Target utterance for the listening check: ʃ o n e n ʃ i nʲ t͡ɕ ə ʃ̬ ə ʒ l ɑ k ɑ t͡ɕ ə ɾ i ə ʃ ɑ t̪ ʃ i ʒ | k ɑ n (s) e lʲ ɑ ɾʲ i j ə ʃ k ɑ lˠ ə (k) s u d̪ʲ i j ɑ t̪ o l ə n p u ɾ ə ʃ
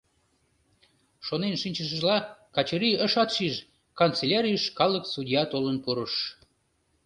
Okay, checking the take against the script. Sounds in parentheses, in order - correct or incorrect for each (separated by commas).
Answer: incorrect, correct